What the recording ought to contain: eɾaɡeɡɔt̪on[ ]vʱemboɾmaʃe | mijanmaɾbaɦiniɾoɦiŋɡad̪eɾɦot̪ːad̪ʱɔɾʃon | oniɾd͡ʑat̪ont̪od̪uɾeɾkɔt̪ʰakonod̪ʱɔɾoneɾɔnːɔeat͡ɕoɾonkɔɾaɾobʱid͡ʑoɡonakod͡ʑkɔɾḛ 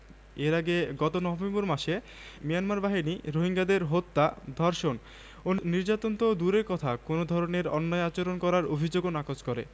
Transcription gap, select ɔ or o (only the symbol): ɔ